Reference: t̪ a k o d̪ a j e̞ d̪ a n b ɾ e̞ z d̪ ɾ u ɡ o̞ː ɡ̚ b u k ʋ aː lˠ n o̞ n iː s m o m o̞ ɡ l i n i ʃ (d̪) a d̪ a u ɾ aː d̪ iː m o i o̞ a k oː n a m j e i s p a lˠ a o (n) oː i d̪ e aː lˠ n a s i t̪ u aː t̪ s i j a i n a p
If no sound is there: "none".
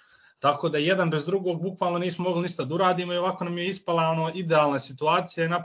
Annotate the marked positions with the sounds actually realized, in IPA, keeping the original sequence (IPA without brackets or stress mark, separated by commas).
t̪, n